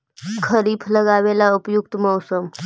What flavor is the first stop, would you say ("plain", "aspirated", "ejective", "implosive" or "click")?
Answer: aspirated